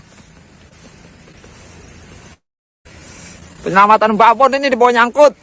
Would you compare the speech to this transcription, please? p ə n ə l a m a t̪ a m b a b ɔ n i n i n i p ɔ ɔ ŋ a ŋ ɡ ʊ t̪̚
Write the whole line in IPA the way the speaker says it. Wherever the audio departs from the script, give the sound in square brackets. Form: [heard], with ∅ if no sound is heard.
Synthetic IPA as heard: p ə [ɲ] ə l a m a t̪ a [n] b a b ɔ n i n i [d] i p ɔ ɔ [ɲ] a ŋ [k] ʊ t̪̚